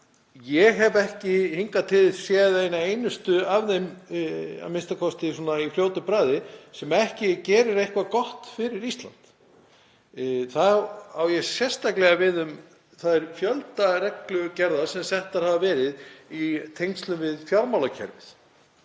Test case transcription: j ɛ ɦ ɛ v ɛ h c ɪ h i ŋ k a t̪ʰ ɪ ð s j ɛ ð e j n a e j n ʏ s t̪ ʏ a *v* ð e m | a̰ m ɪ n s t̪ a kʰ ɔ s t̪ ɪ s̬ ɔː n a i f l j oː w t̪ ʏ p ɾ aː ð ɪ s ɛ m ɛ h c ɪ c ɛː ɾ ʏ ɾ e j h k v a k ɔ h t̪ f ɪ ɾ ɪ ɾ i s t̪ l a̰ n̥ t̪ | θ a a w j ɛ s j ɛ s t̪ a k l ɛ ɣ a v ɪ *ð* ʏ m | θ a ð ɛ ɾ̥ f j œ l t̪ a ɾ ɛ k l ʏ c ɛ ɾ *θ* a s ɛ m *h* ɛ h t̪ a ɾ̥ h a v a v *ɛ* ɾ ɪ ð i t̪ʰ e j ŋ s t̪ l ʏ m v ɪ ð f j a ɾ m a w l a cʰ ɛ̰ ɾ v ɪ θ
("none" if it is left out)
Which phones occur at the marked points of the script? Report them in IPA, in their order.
v, ð, ð, s, ɛː

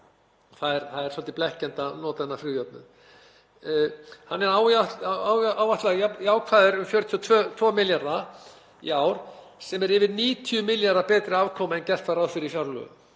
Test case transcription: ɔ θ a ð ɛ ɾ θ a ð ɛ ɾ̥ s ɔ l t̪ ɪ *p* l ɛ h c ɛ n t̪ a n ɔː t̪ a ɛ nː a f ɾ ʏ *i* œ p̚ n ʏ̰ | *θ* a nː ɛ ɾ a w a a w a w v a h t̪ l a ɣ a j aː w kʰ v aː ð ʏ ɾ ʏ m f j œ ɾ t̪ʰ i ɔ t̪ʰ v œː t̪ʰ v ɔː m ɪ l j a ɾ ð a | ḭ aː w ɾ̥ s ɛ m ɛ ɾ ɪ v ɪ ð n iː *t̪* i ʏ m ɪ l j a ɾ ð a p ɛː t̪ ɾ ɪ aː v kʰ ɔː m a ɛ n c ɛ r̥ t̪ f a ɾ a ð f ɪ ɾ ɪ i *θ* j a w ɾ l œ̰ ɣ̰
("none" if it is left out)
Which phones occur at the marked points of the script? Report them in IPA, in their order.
p, j, h, t̪ʰ, f

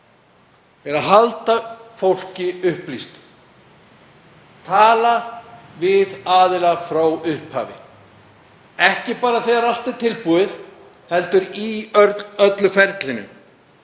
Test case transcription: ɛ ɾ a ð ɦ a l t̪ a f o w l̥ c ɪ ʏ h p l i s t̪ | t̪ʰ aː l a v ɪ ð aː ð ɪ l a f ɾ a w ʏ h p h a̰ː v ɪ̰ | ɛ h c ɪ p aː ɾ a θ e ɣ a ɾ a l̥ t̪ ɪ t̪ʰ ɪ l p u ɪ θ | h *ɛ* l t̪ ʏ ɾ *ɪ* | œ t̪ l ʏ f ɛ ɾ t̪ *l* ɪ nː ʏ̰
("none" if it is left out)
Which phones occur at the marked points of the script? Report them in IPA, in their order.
ɛ, i, l

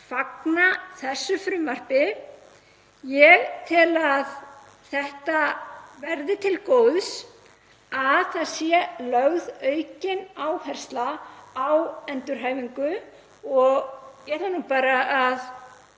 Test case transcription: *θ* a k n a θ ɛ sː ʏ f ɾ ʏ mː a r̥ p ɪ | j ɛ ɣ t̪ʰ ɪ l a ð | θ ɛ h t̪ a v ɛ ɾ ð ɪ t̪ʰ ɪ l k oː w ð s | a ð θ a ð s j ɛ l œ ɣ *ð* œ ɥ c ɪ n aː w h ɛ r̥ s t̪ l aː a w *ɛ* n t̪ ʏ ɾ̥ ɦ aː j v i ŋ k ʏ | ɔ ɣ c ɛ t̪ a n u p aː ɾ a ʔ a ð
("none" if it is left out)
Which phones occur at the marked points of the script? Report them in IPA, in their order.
f, ð, ɛ

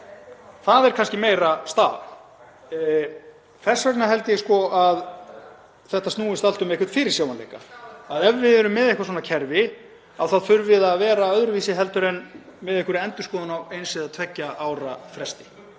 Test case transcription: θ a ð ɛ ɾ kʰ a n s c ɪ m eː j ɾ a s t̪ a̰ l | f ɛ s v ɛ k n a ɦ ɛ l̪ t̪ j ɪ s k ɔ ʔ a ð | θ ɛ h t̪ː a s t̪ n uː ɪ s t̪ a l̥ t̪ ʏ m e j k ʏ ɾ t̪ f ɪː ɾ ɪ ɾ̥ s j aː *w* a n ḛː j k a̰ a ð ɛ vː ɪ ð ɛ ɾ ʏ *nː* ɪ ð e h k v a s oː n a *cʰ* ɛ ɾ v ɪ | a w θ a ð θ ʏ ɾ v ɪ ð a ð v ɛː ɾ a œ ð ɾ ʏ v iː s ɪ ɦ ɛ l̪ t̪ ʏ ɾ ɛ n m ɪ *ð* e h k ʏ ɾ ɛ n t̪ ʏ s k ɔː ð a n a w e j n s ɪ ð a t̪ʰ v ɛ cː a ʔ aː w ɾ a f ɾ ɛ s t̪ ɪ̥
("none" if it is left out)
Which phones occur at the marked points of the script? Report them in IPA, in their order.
w, mː, cʰ, ð

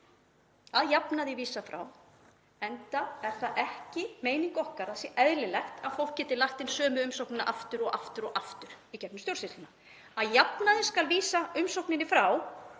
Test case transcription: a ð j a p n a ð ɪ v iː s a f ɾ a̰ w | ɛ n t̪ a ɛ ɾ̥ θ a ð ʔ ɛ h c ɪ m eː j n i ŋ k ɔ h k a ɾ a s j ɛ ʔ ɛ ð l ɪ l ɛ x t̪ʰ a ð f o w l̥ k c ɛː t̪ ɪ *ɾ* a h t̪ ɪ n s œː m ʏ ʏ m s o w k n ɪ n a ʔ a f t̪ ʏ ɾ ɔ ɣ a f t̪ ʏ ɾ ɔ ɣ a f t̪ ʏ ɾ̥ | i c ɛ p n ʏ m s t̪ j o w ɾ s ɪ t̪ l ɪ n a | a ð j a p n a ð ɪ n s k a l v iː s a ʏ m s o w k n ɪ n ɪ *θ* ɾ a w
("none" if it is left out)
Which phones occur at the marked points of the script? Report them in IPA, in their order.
l, f

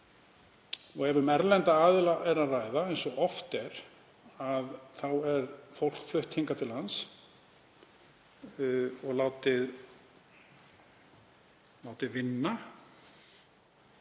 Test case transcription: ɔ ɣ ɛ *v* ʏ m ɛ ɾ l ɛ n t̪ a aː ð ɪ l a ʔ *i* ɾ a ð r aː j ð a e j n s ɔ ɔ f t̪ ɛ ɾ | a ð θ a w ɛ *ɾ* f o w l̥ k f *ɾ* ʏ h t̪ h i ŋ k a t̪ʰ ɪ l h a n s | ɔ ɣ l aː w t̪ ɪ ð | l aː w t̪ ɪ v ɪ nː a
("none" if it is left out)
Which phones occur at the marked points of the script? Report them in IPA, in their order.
v, ɛ, ɾ, l

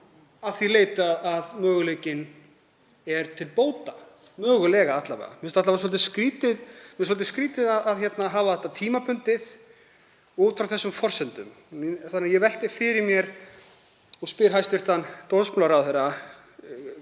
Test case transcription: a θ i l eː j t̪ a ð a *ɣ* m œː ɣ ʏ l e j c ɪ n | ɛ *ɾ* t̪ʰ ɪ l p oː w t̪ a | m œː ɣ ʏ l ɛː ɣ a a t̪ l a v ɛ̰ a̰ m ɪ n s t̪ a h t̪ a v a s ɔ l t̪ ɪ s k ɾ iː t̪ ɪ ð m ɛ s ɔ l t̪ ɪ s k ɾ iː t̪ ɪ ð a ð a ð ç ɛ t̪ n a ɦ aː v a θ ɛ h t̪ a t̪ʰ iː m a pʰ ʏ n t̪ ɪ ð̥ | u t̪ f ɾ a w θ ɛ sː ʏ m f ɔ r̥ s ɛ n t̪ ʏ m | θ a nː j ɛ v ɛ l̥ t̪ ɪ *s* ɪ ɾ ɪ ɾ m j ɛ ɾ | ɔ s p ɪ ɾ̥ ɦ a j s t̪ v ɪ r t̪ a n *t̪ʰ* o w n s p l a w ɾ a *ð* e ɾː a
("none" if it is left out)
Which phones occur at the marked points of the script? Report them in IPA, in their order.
ð, ɾ, f, t̪, θ

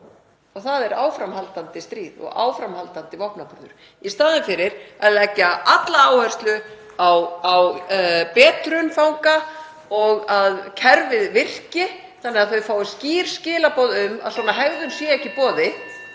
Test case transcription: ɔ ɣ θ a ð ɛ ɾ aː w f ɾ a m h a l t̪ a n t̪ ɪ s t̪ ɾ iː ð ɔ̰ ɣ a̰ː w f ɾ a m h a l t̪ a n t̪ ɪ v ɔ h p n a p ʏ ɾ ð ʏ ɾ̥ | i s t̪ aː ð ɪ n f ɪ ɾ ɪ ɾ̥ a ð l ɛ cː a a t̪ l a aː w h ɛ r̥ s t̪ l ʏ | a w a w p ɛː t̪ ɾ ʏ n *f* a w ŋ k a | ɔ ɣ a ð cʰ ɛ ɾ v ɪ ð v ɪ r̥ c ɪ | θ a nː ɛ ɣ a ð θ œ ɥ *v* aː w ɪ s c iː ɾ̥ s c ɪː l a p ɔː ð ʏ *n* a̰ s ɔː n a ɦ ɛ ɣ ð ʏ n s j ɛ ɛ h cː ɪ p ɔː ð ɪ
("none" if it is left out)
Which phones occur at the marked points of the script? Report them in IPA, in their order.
f, f, m

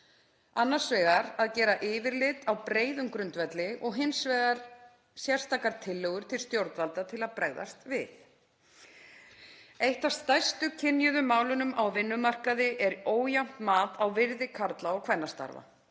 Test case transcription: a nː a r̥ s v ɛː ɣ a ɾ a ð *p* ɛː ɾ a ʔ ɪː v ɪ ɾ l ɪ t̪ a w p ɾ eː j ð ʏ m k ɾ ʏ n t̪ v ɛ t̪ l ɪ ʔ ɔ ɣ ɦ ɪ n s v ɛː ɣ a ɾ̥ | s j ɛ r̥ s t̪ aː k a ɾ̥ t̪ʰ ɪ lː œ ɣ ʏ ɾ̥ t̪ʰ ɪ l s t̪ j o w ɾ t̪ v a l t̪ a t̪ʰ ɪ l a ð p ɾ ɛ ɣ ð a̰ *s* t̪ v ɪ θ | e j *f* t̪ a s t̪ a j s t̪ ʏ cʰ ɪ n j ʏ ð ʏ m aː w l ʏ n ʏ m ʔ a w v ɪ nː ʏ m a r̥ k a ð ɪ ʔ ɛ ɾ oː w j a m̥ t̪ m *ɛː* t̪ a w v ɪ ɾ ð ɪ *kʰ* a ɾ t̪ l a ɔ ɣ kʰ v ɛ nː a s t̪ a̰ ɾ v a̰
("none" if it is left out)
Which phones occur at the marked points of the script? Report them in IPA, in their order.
c, s, h, aː, kʰ

